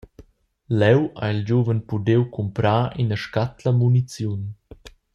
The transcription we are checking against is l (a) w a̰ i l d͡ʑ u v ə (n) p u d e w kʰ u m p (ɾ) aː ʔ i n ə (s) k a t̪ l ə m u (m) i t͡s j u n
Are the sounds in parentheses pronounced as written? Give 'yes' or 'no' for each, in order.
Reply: no, yes, yes, no, no

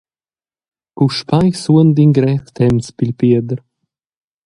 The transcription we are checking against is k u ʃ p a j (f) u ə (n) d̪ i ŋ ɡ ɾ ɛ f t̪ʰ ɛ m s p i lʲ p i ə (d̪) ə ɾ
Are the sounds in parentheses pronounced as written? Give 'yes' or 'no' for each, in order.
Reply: no, yes, yes

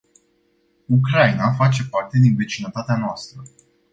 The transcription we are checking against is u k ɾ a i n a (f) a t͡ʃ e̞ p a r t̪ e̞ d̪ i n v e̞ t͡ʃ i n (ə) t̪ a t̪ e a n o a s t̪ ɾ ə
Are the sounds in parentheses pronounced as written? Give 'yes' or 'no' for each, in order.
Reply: yes, yes

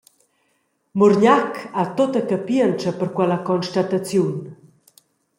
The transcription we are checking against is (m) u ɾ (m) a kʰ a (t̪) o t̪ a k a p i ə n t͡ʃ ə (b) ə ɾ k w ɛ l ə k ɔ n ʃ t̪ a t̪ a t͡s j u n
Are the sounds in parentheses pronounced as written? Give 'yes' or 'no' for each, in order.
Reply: yes, no, yes, no

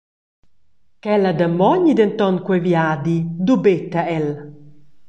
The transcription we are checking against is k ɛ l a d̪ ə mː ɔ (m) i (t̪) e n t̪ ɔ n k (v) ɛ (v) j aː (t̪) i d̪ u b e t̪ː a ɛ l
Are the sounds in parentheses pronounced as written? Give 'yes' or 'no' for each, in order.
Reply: no, no, no, yes, no

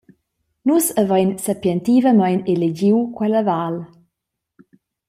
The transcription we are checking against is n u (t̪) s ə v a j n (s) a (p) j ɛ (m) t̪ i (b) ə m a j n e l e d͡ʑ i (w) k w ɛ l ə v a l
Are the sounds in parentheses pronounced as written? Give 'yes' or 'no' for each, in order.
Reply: no, yes, yes, no, no, yes

